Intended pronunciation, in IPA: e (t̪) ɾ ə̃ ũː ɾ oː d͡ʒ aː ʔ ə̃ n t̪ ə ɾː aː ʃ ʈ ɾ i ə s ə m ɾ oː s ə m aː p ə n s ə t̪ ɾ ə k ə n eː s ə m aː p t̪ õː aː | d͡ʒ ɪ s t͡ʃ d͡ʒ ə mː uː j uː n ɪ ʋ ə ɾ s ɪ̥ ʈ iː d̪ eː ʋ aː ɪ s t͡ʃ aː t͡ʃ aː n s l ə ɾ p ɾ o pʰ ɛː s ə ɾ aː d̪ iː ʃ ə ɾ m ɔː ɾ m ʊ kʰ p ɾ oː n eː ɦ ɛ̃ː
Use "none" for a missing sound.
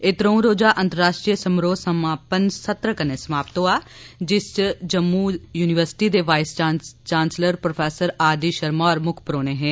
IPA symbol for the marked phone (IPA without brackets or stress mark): t̪